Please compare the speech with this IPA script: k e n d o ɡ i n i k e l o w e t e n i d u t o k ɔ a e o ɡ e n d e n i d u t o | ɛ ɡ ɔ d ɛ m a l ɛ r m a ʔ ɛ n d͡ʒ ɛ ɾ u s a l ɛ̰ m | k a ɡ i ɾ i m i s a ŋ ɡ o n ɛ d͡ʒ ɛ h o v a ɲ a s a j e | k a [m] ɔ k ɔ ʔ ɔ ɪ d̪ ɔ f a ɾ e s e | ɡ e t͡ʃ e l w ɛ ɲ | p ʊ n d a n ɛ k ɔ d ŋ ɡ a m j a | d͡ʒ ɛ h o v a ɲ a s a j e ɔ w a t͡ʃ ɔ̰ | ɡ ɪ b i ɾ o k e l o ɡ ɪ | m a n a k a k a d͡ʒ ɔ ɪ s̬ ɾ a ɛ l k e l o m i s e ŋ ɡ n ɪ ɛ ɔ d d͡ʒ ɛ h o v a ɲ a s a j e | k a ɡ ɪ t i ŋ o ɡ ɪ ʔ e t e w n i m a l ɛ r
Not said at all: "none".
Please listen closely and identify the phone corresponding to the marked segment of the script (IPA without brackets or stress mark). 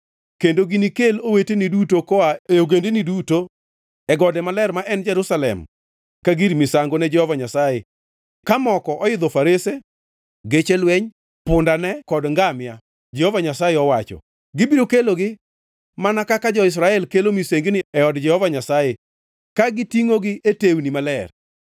m